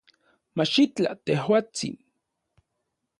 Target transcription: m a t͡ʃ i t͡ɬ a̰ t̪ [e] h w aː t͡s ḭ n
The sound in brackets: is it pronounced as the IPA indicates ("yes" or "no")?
yes